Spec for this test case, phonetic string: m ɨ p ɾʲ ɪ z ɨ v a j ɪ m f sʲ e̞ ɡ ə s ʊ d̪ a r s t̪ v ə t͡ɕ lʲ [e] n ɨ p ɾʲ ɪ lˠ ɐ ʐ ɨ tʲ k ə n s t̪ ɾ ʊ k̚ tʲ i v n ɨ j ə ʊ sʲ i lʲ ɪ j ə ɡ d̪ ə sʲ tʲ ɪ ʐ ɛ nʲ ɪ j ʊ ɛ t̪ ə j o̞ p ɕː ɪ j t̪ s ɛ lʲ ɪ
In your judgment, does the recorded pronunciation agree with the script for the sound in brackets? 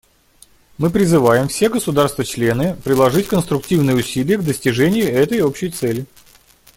yes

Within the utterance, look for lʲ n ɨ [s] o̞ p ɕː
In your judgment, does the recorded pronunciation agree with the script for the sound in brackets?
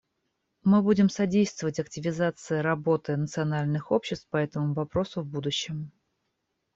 no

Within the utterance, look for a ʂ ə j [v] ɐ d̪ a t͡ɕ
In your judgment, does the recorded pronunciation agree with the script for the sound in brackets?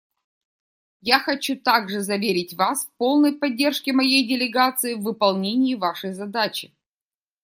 no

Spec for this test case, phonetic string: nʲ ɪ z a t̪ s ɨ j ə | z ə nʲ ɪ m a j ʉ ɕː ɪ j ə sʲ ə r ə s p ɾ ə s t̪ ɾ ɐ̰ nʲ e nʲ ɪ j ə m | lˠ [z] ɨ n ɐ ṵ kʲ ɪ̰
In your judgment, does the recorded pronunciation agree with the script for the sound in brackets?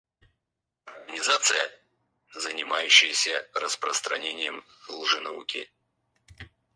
no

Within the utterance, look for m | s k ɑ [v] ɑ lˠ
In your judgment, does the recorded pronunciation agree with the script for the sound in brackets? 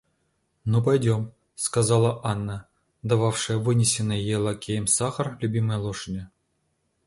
no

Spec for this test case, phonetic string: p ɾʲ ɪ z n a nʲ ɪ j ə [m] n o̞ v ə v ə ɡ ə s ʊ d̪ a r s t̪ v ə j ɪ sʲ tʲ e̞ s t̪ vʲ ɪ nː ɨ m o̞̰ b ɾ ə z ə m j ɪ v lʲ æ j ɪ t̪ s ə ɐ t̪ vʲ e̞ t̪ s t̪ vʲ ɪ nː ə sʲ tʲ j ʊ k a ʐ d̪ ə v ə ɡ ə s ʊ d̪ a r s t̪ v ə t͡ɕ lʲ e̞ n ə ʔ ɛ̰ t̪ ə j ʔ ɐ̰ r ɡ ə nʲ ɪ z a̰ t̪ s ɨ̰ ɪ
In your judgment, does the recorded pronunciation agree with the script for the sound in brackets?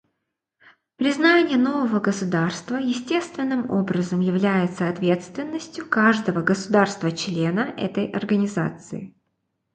no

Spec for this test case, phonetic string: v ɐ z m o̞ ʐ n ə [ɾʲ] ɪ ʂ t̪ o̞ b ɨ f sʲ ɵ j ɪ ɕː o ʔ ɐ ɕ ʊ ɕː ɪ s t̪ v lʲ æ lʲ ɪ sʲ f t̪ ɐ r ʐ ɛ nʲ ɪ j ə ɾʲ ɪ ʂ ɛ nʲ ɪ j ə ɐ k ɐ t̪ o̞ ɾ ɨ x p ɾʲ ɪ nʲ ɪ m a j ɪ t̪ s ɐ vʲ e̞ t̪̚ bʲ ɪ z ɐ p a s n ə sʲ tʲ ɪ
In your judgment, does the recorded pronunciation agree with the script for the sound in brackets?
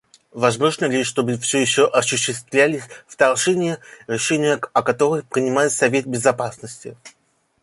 no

